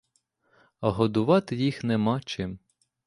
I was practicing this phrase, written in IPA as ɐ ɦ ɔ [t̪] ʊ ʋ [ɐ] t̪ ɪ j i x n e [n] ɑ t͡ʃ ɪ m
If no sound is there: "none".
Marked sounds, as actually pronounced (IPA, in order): d̪, ɑ, m

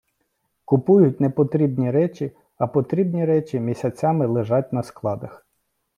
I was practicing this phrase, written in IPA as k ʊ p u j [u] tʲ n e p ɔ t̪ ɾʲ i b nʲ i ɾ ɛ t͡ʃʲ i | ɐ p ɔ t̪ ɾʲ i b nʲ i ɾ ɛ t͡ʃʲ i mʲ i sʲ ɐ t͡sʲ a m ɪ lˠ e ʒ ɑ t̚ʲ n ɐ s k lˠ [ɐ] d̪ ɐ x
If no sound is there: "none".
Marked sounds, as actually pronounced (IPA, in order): ʊ, ɑ

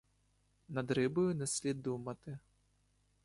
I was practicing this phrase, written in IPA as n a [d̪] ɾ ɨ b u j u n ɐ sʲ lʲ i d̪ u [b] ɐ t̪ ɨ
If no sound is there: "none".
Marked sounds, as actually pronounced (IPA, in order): d̪, m

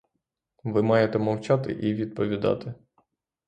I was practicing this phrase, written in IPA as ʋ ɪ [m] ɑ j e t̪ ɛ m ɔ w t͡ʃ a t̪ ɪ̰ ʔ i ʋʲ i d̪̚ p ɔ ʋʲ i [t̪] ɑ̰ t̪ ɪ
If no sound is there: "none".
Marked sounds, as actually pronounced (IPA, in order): m, d̪

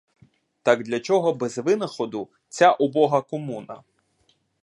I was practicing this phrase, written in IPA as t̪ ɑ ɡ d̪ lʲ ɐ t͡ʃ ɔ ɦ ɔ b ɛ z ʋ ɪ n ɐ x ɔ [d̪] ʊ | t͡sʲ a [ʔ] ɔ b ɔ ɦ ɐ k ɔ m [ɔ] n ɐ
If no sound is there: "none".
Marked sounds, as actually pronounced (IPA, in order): d̪, ʔ, u

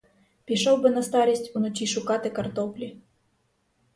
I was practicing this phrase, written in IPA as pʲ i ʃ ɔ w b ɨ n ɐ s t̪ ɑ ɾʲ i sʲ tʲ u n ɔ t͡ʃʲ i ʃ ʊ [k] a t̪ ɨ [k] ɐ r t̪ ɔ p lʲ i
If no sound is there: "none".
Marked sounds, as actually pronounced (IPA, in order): k, k

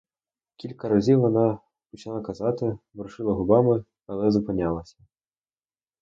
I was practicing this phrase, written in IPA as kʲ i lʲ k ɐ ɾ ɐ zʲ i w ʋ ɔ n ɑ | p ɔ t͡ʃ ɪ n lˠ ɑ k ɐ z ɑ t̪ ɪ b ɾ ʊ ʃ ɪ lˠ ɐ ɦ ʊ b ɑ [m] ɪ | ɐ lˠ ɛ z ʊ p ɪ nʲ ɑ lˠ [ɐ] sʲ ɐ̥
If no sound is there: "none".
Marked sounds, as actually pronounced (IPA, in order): m, ɐ

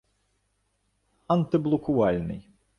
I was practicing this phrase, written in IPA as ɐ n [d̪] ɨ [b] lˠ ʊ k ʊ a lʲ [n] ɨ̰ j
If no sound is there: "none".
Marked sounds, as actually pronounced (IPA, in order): t̪, b, n

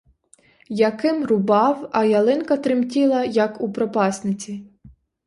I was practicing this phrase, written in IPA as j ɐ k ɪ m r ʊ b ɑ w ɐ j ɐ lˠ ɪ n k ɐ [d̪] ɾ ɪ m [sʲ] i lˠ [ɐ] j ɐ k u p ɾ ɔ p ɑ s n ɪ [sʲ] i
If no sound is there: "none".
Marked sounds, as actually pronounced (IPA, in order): t̪, tʲ, ɐ, t͡sʲ

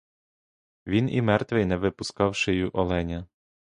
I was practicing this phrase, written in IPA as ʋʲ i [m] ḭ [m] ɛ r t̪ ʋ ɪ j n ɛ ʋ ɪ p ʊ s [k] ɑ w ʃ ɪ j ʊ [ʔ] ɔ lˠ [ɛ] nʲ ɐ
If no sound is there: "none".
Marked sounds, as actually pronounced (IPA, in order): n, m, k, ʔ, ɛ

